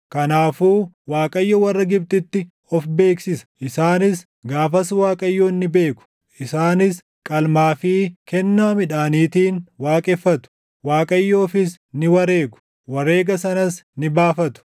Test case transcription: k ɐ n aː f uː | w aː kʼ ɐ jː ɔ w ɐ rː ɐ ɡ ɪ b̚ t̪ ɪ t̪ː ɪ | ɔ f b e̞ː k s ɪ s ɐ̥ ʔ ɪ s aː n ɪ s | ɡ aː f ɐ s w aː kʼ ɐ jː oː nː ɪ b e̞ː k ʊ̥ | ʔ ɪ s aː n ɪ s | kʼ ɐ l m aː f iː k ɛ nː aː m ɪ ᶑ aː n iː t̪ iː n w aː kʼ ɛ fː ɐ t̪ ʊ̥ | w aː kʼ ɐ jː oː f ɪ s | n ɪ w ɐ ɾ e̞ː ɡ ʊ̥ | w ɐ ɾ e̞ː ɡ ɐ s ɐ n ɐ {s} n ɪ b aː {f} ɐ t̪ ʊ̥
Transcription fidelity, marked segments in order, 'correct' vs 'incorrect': correct, correct

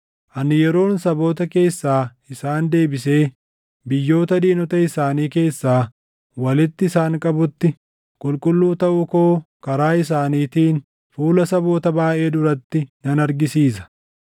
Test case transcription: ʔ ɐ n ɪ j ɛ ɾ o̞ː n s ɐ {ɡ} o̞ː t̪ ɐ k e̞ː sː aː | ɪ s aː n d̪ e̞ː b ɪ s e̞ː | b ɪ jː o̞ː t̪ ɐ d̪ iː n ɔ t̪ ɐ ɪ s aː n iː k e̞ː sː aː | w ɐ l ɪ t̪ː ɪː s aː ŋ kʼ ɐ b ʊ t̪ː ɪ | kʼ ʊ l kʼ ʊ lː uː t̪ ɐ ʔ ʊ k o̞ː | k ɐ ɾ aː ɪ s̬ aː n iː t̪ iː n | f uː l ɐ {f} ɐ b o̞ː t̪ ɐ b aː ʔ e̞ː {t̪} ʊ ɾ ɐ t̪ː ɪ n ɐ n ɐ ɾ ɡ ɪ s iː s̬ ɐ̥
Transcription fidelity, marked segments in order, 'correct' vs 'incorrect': incorrect: b, incorrect: s, incorrect: d̪

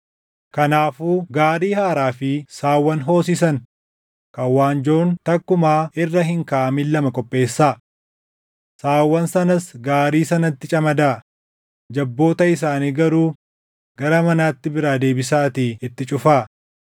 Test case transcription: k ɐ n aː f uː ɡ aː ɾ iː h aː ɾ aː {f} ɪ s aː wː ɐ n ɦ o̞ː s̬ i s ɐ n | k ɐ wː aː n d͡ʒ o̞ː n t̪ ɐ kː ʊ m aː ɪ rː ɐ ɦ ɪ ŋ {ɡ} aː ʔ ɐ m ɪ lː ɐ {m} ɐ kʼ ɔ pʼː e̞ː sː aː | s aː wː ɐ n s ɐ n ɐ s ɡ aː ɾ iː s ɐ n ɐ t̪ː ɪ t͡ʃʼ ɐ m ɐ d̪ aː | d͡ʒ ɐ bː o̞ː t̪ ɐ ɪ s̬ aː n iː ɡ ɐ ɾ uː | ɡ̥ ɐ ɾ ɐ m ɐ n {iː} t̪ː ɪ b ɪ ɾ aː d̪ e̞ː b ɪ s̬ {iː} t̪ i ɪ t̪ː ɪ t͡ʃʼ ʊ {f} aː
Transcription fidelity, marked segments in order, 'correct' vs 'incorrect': correct, incorrect: k, correct, incorrect: aː, incorrect: aː, correct

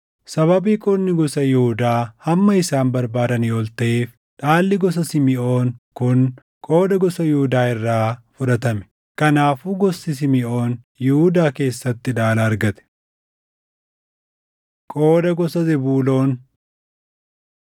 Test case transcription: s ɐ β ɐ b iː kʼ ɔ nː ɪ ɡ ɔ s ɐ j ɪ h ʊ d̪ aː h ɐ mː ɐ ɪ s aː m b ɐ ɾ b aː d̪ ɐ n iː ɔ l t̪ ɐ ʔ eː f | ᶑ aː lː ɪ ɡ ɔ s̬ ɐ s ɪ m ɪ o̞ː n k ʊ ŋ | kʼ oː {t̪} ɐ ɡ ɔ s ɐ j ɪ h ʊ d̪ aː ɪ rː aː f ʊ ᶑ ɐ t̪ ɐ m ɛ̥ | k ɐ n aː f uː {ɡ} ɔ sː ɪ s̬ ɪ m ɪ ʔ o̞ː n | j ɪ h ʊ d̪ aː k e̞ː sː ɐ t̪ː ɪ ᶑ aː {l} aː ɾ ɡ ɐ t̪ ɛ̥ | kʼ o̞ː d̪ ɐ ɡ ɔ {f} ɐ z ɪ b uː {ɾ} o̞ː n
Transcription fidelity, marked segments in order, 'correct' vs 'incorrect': incorrect: d̪, correct, correct, incorrect: s, incorrect: l

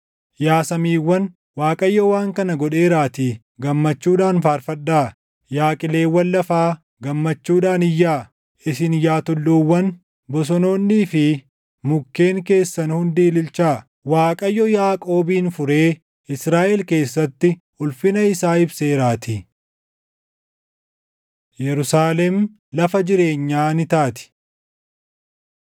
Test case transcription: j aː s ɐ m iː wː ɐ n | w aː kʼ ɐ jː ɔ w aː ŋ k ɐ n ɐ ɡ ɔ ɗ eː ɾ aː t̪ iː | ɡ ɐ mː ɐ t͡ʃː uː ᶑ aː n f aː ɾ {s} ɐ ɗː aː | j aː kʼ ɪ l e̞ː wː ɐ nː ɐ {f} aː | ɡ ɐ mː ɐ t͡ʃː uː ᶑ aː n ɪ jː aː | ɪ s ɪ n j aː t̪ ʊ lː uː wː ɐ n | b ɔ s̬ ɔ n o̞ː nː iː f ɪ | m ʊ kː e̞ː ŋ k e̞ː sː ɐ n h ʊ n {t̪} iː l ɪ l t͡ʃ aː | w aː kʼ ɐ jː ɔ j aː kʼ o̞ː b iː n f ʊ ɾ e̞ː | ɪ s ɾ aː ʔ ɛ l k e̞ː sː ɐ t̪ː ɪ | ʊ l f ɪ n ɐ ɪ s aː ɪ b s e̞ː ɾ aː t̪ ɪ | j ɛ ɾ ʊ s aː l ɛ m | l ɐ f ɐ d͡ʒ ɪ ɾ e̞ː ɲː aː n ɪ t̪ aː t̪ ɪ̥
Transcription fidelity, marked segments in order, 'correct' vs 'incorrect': incorrect: f, correct, incorrect: d̪

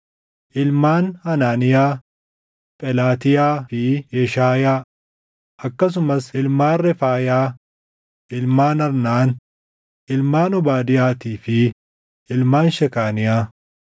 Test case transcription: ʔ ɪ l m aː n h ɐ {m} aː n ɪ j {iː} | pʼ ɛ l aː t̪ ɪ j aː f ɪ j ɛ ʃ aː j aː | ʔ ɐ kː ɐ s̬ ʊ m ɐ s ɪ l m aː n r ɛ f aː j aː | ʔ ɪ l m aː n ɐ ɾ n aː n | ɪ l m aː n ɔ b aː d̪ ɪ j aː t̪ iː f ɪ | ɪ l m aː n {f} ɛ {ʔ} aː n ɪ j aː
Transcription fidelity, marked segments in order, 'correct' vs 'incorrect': incorrect: n, incorrect: aː, incorrect: ʃ, incorrect: k

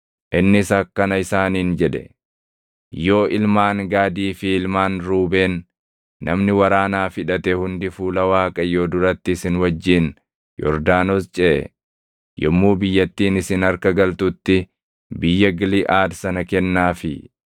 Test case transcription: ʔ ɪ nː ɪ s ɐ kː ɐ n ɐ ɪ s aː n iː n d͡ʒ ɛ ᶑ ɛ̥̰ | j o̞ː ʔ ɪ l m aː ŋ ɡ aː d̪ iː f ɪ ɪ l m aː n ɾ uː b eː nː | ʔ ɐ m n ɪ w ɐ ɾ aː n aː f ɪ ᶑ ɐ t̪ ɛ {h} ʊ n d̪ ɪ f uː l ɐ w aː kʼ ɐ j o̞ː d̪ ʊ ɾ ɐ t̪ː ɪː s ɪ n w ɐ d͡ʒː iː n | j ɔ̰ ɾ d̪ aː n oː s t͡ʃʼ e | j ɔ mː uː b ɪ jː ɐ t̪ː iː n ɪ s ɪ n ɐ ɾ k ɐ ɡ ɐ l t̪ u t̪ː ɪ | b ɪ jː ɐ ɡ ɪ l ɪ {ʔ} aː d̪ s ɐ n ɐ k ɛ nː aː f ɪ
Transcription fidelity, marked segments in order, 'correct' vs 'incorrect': correct, correct

